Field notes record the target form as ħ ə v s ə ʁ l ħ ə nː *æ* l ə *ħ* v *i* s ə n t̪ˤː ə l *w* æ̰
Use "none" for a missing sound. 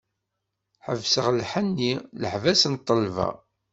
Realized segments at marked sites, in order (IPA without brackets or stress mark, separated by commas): i, ħ, æ, v